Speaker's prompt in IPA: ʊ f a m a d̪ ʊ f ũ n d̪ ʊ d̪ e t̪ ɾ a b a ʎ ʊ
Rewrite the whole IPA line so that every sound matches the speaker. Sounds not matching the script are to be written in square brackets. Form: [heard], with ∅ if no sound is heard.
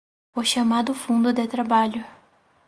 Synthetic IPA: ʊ [ʃ] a m a d̪ ʊ f ũ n d̪ ʊ d̪ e t̪ ɾ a b a ʎ ʊ